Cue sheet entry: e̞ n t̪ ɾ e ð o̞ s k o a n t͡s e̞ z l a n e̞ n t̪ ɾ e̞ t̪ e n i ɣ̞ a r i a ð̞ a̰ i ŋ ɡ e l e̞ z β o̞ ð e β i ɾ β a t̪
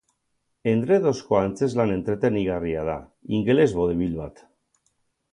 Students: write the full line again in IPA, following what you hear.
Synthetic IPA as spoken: e̞ n d̪ ɾ e ð o̞ s k o a n t͡s e̞ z l a n e̞ n t̪ ɾ e̞ t̪ e n i ɣ̞ a r i a ð̞ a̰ i ŋ ɡ e l e̞ z β o̞ ð e β i l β a t̪